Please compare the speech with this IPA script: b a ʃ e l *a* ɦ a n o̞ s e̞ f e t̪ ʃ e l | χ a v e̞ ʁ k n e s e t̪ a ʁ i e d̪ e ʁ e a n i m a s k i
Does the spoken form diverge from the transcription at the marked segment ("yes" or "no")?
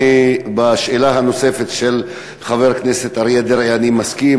no